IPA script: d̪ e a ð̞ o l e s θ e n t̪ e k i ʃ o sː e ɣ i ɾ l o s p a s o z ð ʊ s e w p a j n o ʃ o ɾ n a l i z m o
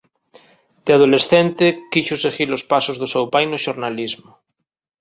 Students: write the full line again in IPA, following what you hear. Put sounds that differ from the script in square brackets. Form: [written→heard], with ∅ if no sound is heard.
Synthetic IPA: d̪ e a ð̞ o l e s θ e n t̪ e k i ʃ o [sː→s] e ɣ i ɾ l o s p a s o z ð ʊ s e w p a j n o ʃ o ɾ n a l i z m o